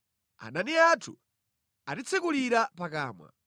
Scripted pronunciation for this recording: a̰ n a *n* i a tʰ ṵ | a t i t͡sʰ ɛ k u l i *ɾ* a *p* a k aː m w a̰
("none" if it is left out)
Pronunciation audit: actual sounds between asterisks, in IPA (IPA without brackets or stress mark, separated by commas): n, ɾ, p